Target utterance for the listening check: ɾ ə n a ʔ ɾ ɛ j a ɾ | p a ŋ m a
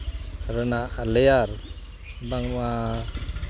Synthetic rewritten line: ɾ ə n a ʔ l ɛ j a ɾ | b a ŋ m a